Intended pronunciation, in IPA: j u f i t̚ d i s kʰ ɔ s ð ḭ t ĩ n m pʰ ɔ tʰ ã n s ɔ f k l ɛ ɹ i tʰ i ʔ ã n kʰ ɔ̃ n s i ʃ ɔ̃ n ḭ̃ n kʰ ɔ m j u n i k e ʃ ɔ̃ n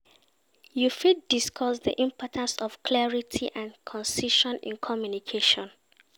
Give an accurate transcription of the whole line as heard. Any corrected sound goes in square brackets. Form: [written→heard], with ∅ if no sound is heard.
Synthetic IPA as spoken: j u f i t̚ d i s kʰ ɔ s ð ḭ [t→ʔ] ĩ [n→∅] m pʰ ɔ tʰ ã n s ɔ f k l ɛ ɹ i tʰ i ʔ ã n kʰ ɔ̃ n s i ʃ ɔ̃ n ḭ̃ n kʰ ɔ m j u n i [k→kʰ] e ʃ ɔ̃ n

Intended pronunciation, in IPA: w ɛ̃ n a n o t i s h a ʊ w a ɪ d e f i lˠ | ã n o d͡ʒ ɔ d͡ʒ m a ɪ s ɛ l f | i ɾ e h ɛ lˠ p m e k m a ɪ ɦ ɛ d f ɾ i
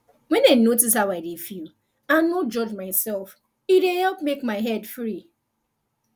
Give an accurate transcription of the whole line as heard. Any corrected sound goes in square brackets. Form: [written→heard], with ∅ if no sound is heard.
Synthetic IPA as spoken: w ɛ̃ n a n o t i s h a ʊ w a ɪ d e f i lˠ | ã n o d͡ʒ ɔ d͡ʒ m a ɪ s ɛ l f | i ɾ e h ɛ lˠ p m e k m a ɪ ɦ ɛ d f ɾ i

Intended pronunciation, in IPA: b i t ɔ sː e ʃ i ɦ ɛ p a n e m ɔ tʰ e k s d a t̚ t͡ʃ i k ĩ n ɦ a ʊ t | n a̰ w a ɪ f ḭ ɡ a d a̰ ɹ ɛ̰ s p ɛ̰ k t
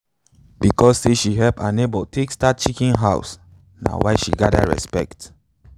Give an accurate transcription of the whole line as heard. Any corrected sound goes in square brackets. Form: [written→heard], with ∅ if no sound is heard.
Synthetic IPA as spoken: b i [t→k] ɔ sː e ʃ i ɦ ɛ p a n e [m→b] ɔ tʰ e k s [d→t] a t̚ t͡ʃ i k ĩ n ɦ a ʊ [t→s] | n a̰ w a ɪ [f→ʃ] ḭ ɡ a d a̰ ɹ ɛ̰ s p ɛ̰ k t

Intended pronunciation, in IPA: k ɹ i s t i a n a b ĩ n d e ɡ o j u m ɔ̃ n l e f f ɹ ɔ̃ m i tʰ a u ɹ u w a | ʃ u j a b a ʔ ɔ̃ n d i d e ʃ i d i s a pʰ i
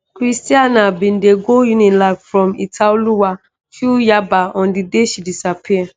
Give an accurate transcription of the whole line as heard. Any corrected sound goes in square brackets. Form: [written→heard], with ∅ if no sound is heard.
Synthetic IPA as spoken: k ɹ i s t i a n a b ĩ n d e ɡ o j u [m→n] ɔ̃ n l [e→a] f f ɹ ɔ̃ m i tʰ a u [ɹ→l] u w a | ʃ u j a b a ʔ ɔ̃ n d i d e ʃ i d i s a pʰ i

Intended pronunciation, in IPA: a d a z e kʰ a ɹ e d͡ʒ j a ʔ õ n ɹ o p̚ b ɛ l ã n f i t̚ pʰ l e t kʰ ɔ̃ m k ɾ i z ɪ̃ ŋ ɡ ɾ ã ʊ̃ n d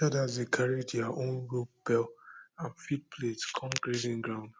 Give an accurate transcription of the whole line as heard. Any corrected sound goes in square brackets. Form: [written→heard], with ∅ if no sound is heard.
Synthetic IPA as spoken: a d a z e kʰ a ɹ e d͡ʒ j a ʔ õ n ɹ o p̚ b ɛ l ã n f i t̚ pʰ l e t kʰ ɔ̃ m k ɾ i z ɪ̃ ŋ ɡ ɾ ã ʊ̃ n d

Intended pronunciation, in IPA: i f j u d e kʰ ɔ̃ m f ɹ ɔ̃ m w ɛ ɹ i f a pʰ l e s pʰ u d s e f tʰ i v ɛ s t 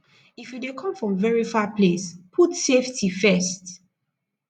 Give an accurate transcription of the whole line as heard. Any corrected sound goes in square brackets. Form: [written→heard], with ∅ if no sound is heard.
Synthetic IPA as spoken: i f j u d e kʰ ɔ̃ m f ɹ ɔ̃ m [w→v] ɛ ɹ i f a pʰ l e s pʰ u [d→t] s e f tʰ i [v→f] ɛ s t

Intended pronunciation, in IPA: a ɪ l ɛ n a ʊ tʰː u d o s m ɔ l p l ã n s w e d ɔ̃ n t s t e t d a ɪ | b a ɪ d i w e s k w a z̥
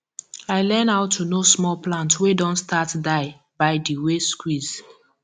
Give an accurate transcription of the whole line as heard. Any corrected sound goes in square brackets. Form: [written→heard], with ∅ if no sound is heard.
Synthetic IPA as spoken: a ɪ l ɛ n a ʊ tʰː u [d→n] o s m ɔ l p l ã n [s→t] w e d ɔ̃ n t s t [e→a] t d a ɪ | b a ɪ d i w e s k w [a→i] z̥

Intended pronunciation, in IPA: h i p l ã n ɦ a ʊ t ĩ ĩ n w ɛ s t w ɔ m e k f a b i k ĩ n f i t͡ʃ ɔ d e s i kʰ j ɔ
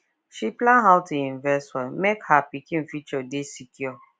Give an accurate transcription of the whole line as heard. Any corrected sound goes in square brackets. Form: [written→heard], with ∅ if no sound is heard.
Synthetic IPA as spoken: [h→ʃ] i p l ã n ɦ a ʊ t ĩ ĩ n [w→v] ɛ s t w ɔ m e k [f→h] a [b→p] i k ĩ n f i t͡ʃ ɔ d e s i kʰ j ɔ

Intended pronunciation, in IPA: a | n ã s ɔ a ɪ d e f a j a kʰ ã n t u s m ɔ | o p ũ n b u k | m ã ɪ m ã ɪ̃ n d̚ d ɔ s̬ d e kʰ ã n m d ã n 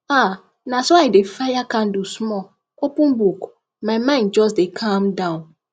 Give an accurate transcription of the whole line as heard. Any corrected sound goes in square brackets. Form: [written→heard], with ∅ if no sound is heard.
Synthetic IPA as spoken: a | n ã s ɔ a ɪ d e f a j a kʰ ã n [t→d] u s m ɔ | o p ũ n b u k | m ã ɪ m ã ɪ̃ n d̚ [d→d͡ʒ] ɔ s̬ d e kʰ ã [n→∅] m d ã n

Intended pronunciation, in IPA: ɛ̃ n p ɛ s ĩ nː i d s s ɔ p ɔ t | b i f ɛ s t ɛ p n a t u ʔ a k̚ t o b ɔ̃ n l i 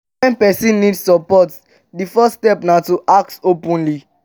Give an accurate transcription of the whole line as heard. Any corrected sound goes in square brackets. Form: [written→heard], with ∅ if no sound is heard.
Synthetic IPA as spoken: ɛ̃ n p ɛ s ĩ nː i d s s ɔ p ɔ t | [b→d] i f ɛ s t ɛ p n a t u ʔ a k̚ t o [b→p] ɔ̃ n l i

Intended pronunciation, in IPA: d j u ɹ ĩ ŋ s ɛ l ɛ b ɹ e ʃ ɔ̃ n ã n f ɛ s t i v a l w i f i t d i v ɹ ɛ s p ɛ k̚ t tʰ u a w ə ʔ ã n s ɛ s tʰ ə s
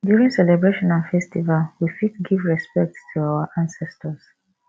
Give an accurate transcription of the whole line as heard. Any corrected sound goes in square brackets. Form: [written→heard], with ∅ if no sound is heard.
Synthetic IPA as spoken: d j u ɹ ĩ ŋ s ɛ l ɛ b ɹ e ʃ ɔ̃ n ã n f ɛ s t i v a l w i f i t [d→ɡ] i v ɹ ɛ s p ɛ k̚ t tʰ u a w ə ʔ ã n s ɛ s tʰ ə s

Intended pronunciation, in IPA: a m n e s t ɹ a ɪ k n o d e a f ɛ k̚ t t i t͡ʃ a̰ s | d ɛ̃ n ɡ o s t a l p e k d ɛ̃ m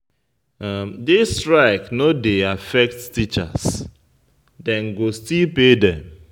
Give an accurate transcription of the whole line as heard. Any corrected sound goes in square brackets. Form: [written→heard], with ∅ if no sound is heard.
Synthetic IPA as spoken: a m [n→d] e s t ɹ a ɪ k n o d e a f ɛ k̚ t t i t͡ʃ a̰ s | d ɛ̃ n ɡ o s t [a→i] l p e [k→∅] d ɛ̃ m

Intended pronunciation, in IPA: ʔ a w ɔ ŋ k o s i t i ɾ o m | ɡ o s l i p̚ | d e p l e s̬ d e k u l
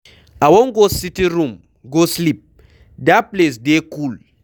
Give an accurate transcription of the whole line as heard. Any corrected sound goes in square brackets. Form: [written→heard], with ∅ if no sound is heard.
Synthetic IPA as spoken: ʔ a w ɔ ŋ [k→ɡ] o s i t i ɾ [o→u] m | ɡ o s l i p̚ | d [e→a] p l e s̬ d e k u l

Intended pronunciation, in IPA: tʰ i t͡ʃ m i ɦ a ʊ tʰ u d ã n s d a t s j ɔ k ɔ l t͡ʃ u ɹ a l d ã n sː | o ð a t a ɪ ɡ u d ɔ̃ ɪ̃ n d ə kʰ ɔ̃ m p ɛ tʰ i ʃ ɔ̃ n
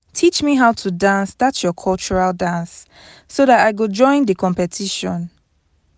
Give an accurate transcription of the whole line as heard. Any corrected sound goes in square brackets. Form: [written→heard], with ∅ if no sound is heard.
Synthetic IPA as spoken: tʰ i t͡ʃ m i ɦ a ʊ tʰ u d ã n s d a t s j ɔ [k→kʰ] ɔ l t͡ʃ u ɹ a l d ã n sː | o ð a t a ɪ ɡ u [d→d͡ʒ] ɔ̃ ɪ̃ n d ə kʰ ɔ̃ m p ɛ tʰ i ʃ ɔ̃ n

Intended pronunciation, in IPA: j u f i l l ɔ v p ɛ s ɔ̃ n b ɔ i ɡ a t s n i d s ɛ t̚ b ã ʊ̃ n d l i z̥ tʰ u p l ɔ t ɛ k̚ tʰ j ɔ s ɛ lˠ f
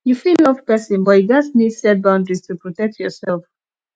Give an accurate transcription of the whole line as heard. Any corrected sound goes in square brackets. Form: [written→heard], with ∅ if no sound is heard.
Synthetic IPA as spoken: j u f i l l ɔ v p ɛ s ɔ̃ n b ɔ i ɡ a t s n i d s ɛ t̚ b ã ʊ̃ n d [l→ɹ] i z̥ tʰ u p [l→ɹ] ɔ t ɛ k̚ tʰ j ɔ s ɛ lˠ f

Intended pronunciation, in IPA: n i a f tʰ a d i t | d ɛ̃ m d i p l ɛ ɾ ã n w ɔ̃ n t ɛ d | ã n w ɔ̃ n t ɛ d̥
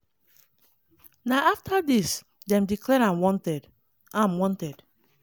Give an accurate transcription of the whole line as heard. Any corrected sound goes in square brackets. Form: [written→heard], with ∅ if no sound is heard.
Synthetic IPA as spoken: n [i→a] a f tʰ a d i [t→s] | d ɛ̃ m d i [p→k] l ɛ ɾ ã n w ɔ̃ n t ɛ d | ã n w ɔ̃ n t ɛ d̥

